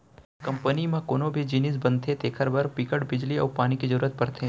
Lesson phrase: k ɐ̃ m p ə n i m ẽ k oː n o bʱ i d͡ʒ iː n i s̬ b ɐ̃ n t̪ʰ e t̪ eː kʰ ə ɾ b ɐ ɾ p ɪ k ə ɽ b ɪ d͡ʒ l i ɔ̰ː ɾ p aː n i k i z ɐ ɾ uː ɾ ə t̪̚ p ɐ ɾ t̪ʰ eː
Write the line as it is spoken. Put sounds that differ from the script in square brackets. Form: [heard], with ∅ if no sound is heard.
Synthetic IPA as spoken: k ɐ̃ m p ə n i m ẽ k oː n o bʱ i d͡ʒ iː n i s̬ b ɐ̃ n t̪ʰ e t̪ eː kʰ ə ɾ b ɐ ɾ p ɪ k ə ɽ b ɪ d͡ʒ l i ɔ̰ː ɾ p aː n i k i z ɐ ɾ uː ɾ ə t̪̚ p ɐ ɾ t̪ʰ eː